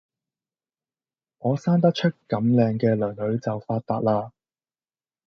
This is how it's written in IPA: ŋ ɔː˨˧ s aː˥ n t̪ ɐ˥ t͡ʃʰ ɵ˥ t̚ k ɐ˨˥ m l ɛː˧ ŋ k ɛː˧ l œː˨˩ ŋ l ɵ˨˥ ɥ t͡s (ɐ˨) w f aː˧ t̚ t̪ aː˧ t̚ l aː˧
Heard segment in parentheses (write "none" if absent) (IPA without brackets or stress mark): ɐ˨